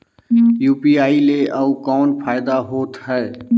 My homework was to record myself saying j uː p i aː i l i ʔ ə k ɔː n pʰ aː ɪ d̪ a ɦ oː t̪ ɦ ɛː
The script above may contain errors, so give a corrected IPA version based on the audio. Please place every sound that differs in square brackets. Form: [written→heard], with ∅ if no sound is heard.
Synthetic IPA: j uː p i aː i l [i→e] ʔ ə k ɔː n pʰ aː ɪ d̪ a ɦ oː t̪ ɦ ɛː